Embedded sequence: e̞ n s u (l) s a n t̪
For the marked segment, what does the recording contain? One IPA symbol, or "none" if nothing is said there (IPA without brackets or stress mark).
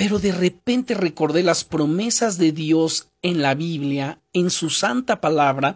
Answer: none